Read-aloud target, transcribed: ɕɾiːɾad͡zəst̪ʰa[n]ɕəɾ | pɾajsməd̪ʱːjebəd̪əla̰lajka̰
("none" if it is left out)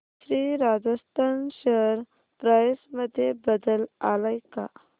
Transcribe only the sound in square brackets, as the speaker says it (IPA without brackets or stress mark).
n